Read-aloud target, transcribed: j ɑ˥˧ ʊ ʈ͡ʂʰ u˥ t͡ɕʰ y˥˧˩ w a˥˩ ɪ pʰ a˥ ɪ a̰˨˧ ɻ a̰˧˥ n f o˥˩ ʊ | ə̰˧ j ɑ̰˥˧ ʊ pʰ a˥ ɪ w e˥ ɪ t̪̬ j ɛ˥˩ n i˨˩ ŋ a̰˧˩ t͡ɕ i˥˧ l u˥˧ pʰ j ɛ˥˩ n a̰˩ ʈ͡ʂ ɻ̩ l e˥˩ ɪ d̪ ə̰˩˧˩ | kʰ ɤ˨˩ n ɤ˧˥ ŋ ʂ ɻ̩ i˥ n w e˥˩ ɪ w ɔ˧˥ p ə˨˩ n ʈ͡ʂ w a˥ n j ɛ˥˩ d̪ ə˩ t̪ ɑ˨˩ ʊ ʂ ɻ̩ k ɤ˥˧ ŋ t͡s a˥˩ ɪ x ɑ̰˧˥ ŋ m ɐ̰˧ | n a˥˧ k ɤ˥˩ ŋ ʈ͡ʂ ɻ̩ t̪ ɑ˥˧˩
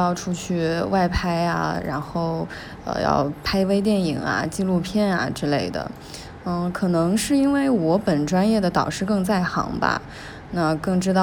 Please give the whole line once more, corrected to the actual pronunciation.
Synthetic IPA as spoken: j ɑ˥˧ ʊ ʈ͡ʂʰ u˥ t͡ɕʰ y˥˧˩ w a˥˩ ɪ pʰ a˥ ɪ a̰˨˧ ɻ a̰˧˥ n x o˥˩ ʊ | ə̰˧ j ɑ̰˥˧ ʊ pʰ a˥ ɪ w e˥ ɪ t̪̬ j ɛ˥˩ n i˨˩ ŋ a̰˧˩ t͡ɕ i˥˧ l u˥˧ pʰ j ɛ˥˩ n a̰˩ ʈ͡ʂ ɻ̩ l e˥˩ ɪ d̪ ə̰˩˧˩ | kʰ ɤ˨˩ n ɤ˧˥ ŋ ʂ ɻ̩ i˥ n w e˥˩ ɪ w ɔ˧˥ p ə˨˩ n ʈ͡ʂ w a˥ n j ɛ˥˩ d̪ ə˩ t̪ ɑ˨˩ ʊ ʂ ɻ̩ k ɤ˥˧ ŋ t͡s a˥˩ ɪ x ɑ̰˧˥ ŋ b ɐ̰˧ | n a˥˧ k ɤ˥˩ ŋ ʈ͡ʂ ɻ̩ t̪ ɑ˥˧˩